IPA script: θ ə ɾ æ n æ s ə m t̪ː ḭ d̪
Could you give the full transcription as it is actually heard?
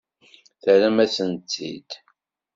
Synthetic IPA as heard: θ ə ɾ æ m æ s ə n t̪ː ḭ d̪